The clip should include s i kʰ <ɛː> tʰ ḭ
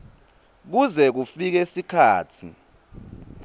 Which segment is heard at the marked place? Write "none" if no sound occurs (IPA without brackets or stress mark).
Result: aː